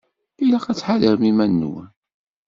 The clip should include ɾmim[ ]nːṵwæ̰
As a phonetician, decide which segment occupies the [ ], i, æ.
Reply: æ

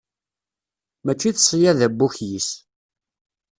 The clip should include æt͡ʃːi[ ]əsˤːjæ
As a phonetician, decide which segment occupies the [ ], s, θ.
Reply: θ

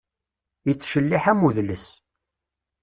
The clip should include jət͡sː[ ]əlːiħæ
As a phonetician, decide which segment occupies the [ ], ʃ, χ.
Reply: ʃ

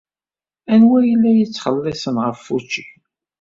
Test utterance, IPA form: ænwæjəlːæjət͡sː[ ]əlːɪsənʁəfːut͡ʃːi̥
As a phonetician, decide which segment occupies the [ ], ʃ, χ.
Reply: χ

